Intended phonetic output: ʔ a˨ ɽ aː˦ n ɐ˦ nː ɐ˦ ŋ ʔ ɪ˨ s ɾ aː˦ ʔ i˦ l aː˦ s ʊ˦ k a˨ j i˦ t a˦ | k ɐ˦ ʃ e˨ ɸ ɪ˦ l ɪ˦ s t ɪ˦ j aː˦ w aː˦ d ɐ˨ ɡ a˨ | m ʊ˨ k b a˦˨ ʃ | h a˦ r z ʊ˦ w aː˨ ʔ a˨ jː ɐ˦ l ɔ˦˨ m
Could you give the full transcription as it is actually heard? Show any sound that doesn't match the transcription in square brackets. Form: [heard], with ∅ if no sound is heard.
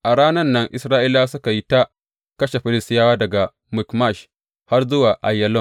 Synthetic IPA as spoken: ʔ a˨ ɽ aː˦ n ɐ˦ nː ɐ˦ ŋ ʔ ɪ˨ s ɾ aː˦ ʔ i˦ l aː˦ s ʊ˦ k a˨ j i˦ t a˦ | k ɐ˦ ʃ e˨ ɸ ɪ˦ l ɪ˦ s t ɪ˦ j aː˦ w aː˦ d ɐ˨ ɡ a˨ | m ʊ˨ k [m] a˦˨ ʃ | h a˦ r z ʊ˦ w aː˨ ʔ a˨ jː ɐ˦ l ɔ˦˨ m